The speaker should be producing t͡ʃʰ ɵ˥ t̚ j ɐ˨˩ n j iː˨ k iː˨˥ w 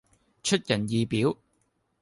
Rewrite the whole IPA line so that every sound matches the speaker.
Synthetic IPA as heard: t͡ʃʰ ɵ˥ t̚ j ɐ˨˩ n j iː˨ p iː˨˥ w